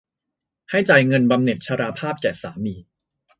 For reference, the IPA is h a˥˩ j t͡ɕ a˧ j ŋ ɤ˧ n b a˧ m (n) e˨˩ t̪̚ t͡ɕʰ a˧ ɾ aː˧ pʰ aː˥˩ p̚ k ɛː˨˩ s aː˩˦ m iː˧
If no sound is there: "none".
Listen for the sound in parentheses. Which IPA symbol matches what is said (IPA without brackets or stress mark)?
n